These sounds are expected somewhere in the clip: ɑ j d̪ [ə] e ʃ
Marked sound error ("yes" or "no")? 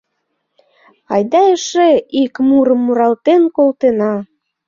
yes